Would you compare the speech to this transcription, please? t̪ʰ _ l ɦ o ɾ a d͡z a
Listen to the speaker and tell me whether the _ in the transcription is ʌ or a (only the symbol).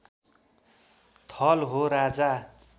ʌ